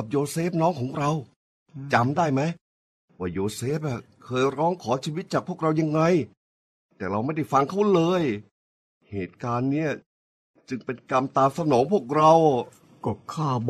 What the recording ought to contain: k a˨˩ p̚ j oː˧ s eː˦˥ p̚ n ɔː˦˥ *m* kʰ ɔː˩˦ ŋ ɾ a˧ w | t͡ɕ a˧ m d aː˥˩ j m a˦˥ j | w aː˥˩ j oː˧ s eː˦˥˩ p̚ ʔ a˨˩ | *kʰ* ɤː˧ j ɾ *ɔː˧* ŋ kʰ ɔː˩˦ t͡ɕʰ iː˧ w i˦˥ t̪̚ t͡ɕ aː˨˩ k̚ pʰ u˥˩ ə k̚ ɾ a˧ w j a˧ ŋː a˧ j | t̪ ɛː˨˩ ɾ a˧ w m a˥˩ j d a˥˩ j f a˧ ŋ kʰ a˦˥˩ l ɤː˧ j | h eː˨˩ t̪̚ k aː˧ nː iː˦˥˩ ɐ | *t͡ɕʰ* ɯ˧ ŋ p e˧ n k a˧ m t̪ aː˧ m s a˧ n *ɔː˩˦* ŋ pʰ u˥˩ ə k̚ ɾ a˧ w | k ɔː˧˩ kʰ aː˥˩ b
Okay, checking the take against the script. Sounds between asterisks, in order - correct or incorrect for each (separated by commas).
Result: incorrect, correct, incorrect, incorrect, correct